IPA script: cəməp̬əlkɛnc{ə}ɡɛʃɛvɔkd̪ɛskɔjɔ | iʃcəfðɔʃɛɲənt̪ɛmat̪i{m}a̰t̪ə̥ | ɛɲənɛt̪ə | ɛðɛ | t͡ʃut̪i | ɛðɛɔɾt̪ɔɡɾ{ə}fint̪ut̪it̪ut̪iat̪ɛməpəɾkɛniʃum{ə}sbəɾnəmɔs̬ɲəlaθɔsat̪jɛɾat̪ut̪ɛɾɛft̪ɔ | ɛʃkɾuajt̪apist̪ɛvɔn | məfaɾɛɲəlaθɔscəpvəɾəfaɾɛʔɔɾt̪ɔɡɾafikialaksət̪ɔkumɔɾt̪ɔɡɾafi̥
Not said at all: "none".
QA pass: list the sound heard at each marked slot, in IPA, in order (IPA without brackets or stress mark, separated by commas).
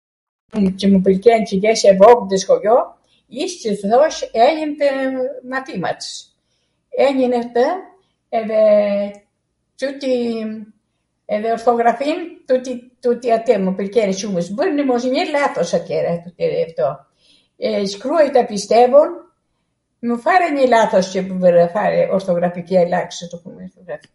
ə, m, a, ə